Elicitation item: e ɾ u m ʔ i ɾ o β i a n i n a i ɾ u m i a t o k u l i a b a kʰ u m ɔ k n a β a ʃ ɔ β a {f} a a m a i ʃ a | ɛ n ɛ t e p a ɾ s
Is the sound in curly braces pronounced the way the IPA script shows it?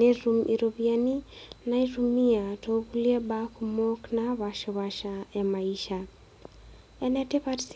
no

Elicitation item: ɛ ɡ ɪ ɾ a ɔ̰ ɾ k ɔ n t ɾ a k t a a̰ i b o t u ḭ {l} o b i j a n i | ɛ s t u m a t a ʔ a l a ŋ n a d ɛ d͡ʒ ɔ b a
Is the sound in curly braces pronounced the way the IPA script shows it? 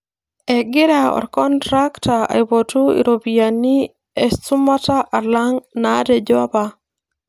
no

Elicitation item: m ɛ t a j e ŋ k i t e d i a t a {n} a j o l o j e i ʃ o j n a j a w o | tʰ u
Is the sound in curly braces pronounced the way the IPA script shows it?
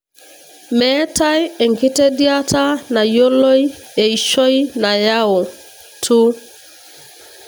yes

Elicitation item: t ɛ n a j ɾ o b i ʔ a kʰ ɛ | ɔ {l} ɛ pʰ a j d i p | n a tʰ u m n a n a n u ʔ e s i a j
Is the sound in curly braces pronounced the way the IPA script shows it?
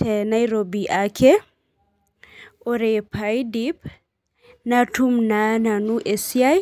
no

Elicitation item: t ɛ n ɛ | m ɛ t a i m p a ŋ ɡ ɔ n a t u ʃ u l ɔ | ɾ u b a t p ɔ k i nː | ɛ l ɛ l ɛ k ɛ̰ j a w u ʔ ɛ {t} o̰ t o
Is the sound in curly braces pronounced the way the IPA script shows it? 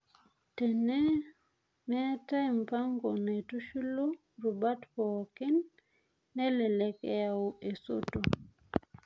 no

